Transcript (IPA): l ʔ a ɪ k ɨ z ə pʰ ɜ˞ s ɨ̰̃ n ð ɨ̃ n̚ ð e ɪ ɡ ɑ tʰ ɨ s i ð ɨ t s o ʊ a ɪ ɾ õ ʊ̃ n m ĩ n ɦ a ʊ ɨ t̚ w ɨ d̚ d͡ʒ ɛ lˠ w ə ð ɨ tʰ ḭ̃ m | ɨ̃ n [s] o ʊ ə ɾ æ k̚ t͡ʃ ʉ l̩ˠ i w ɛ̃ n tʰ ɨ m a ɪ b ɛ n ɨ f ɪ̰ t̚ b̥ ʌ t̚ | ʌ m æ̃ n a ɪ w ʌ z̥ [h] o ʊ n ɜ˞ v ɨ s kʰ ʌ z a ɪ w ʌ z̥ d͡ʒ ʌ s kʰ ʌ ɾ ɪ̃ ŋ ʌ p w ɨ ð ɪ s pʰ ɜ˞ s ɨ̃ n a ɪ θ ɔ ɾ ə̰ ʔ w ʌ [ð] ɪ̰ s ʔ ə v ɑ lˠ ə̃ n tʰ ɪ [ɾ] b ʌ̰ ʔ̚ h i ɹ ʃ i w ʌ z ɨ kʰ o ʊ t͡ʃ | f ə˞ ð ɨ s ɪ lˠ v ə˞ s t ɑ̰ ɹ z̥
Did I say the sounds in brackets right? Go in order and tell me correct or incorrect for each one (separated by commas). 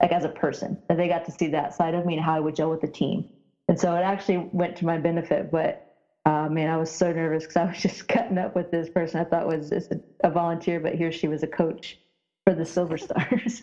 correct, incorrect, incorrect, incorrect